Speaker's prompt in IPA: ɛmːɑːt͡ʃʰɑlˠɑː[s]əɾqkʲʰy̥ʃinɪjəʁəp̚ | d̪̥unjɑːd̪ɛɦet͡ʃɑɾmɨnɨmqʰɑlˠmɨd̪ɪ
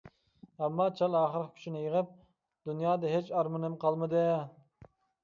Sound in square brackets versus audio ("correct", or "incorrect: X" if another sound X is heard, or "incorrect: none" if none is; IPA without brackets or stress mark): incorrect: χ